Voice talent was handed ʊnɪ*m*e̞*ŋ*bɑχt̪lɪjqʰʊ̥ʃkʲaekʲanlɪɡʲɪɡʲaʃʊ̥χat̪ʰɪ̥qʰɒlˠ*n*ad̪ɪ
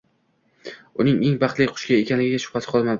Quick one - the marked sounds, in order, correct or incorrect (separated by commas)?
incorrect, correct, incorrect